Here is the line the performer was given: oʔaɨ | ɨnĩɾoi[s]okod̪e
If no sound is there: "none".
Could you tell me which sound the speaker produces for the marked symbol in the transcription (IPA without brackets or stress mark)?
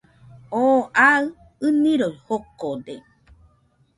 h